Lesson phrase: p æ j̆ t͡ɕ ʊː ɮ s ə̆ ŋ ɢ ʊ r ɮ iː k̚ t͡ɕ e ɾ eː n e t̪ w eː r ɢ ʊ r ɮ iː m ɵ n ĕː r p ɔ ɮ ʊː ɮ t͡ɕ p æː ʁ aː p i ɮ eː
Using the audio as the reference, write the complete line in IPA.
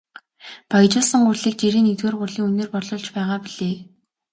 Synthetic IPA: p a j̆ t͡ɕ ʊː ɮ s ə̆ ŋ ɢ ʊ r ɮ iː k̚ t͡ɕ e ɾ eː n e t̪ w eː r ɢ ʊ r ɮ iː ŋ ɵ n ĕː r p ɔ ɮ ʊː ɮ t͡ɕ p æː ʁ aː p i ɮ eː